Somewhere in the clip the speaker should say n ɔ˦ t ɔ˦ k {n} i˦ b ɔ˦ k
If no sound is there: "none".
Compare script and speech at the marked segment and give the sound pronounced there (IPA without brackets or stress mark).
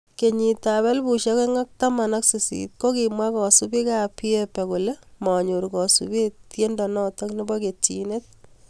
n